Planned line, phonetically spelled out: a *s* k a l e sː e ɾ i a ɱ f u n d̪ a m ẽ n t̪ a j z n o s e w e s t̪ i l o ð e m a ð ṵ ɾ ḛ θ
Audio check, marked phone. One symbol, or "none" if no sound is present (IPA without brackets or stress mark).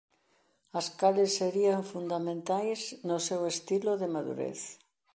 s